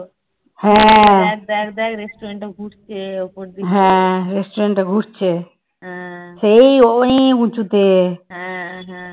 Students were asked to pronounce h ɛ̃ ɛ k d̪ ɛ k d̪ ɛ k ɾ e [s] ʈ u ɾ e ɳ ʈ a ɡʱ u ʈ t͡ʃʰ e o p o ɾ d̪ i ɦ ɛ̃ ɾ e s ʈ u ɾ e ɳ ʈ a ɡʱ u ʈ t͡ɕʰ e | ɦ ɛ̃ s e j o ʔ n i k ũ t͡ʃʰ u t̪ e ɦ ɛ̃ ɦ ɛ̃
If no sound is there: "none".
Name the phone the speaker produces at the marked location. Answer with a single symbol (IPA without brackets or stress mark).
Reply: s